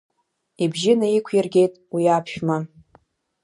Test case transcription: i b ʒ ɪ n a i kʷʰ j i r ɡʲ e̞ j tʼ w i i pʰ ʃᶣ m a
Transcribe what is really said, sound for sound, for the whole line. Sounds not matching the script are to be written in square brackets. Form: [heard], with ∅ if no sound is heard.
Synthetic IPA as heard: i b ʒ ɪ n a i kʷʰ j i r ɡʲ e̞ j tʼ w i [a] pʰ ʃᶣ m a